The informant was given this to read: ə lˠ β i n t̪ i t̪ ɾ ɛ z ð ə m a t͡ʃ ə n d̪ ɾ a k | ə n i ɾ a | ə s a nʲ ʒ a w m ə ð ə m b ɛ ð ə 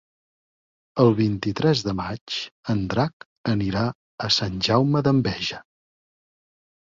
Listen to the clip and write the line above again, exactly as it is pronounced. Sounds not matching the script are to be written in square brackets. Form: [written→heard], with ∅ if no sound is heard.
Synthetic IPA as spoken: ə lˠ β i n t̪ i t̪ ɾ ɛ z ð ə m a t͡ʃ ə n d̪ ɾ a k | ə n i ɾ a | ə s a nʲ ʒ a w m ə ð ə m b ɛ [ð→ʒ] ə